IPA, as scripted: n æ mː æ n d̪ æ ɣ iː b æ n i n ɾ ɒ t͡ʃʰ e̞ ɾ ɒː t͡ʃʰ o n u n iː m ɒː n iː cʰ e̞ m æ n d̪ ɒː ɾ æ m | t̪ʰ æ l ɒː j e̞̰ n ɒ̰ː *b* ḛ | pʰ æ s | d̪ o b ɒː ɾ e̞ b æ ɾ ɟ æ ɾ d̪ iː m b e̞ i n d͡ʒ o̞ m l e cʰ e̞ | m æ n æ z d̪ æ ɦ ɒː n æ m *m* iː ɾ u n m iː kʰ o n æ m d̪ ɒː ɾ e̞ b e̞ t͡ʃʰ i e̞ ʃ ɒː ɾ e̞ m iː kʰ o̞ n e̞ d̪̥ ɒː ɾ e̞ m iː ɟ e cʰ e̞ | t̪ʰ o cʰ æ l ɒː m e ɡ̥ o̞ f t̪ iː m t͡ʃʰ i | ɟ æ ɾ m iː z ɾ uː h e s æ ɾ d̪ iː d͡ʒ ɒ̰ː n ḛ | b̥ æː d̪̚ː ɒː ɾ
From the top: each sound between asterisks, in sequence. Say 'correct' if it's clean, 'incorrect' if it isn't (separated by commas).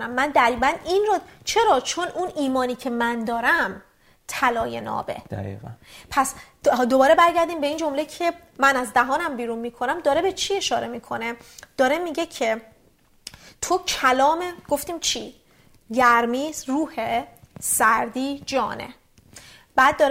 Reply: correct, incorrect